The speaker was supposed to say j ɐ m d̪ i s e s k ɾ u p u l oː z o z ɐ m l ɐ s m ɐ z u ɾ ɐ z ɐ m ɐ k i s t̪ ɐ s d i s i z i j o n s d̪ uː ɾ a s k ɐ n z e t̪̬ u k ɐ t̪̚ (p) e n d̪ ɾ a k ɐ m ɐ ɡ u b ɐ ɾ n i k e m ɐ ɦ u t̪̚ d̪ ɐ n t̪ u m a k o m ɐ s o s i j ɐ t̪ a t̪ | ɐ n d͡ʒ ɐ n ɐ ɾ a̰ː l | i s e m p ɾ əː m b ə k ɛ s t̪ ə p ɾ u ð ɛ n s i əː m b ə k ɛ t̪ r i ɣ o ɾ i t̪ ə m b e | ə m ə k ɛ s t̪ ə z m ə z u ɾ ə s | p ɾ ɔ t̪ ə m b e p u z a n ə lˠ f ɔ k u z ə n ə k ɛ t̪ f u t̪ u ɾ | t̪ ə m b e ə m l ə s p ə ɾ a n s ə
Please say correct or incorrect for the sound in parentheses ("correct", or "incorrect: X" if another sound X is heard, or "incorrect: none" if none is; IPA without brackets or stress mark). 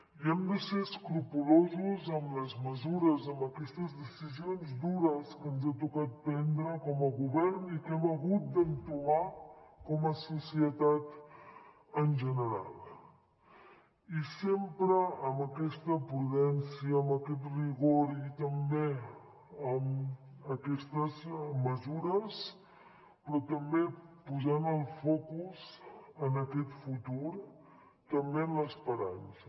correct